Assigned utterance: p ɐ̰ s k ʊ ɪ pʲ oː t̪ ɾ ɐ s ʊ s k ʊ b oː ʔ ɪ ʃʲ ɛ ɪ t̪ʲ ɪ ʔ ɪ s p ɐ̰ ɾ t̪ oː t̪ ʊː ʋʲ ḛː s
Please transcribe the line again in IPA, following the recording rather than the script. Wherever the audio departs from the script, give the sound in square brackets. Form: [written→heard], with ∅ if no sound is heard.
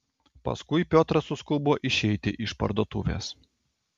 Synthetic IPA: p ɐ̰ s k ʊ ɪ pʲ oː t̪ ɾ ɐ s ʊ s k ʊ b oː ʔ ɪ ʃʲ ɛ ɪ t̪ʲ ɪ ʔ ɪ [s→ʃ] p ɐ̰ ɾ [t̪→d̪] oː t̪ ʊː ʋʲ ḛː s